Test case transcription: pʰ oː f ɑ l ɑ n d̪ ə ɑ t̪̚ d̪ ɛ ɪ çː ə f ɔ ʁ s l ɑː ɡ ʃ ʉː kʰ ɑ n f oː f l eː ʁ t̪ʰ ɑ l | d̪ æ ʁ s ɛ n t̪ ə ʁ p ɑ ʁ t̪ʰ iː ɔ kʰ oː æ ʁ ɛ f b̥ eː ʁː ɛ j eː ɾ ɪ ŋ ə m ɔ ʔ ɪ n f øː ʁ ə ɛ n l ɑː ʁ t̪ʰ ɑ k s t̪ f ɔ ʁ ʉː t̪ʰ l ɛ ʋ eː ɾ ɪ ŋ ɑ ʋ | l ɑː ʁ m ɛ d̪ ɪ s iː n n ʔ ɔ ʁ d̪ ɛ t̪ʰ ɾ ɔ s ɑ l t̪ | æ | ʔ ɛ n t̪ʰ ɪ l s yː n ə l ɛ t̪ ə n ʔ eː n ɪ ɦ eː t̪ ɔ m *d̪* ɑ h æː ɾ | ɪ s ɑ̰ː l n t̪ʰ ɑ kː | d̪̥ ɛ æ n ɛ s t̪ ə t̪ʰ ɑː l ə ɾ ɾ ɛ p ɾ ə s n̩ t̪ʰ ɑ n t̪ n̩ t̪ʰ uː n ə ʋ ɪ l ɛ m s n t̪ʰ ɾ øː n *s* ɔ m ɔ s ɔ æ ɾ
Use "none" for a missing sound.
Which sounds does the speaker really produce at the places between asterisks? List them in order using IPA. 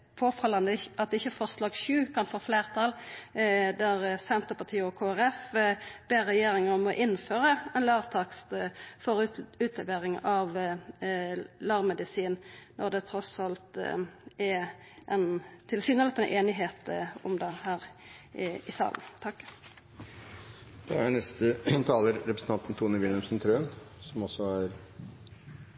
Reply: d̪, s

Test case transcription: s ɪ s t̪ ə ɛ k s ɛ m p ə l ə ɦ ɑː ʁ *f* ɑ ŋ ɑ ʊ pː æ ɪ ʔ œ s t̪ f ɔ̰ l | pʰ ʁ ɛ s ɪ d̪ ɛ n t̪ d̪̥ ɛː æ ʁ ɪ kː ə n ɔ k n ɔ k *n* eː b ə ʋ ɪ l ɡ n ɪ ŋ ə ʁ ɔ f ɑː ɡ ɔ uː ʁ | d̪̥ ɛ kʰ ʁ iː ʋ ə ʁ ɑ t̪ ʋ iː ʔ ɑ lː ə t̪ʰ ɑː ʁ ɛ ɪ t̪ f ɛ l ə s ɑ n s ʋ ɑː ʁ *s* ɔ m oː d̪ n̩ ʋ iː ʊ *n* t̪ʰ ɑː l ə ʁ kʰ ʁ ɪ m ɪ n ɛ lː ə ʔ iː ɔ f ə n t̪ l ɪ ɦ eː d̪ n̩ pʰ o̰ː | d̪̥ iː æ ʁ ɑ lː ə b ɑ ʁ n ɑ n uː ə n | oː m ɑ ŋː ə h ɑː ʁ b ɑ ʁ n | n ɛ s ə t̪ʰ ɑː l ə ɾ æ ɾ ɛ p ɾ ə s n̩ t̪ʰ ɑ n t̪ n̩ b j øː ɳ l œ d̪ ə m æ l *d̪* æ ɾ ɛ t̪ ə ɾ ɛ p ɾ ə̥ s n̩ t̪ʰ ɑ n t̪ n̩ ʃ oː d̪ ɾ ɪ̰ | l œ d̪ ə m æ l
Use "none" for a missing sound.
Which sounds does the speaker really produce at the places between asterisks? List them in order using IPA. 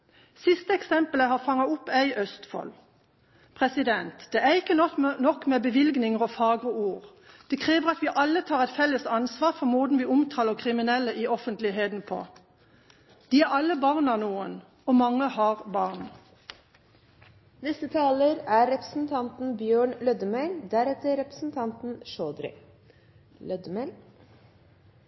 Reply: f, m, f, m, d̪

